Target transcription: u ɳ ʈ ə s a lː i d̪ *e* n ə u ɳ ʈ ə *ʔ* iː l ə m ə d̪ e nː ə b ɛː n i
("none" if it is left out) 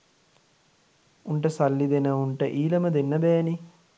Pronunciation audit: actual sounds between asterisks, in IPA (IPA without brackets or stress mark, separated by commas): e, ʔ